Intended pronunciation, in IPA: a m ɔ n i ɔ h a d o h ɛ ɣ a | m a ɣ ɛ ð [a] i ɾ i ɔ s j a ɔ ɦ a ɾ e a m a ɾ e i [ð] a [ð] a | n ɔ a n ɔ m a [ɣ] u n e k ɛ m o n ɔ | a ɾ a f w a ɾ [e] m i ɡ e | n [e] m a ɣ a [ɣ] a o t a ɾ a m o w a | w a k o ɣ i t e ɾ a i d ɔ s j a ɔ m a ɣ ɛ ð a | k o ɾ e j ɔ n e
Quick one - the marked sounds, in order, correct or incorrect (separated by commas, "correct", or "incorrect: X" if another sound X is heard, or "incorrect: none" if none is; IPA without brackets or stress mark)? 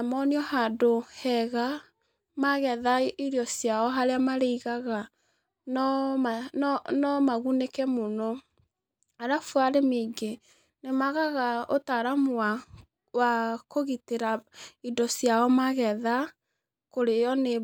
correct, incorrect: ɣ, incorrect: ɣ, correct, correct, correct, correct